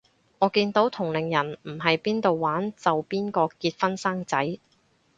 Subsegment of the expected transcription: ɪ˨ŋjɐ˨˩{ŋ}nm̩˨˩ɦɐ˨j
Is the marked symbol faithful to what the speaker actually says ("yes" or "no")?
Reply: no